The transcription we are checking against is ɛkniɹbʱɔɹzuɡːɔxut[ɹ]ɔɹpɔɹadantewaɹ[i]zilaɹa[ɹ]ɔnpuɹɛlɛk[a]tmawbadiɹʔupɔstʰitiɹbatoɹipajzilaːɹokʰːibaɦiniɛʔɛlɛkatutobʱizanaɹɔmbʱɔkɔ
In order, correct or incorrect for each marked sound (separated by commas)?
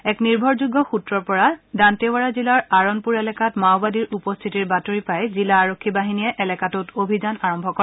correct, incorrect, correct, correct